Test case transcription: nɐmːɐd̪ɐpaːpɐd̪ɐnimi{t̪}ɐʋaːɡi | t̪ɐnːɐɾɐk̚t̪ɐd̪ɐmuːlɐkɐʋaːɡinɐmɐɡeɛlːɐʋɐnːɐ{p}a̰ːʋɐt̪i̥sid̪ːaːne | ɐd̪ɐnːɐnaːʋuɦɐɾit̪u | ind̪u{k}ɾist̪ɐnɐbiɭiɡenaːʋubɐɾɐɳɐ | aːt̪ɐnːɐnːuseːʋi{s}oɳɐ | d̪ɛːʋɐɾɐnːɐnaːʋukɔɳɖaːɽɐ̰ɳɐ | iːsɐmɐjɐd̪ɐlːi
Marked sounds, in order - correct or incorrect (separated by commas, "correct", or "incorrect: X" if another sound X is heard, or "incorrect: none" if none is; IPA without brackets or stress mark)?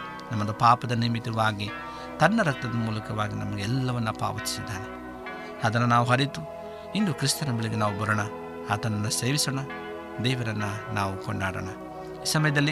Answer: correct, correct, correct, correct